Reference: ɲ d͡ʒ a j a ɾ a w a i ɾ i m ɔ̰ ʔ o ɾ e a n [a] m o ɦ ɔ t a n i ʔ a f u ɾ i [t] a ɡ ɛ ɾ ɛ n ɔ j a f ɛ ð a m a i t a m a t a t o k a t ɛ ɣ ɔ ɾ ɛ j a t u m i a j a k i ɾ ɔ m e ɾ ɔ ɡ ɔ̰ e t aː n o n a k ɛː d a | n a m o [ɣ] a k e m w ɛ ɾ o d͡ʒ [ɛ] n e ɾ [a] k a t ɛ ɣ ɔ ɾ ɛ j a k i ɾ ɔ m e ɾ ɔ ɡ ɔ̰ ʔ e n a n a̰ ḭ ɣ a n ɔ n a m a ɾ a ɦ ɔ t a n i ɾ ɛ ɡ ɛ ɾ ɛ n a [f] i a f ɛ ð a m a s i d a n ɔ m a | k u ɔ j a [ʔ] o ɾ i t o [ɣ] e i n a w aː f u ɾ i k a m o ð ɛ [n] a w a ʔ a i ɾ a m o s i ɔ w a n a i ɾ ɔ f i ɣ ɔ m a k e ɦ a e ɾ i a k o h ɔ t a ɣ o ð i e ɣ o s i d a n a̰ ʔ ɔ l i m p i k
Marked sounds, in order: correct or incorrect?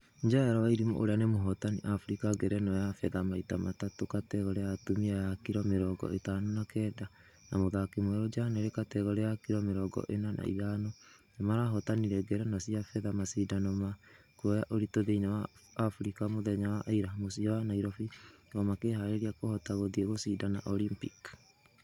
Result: incorrect: e, incorrect: k, incorrect: ð, incorrect: a, incorrect: e, incorrect: s, correct, incorrect: ð, incorrect: ɲ

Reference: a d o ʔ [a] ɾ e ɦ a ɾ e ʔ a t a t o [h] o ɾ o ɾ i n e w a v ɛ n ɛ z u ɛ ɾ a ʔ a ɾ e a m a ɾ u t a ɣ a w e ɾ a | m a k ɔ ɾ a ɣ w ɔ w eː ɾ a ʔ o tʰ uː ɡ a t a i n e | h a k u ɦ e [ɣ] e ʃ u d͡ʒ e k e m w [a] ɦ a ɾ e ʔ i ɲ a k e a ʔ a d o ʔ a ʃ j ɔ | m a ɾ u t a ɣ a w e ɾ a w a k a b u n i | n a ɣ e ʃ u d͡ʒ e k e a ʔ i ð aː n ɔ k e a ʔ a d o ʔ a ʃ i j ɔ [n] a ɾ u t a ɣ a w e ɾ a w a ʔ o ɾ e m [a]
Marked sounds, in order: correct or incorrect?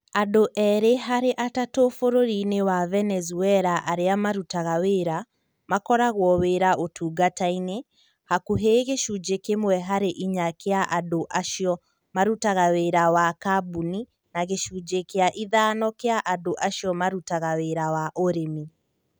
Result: incorrect: ɛ, incorrect: f, correct, incorrect: ɛ, incorrect: m, incorrect: i

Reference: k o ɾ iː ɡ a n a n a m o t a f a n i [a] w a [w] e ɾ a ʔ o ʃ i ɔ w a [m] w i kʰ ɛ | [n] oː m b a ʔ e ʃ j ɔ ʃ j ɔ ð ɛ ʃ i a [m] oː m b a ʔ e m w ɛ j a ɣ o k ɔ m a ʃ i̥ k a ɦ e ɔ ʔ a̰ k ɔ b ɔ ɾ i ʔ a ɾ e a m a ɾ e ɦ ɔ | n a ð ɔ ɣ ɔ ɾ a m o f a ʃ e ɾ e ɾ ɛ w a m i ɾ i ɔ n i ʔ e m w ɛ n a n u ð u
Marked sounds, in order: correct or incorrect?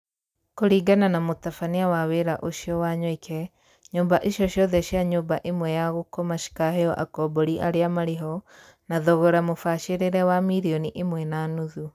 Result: correct, correct, incorrect: ɲ, incorrect: ɲ, incorrect: ɲ

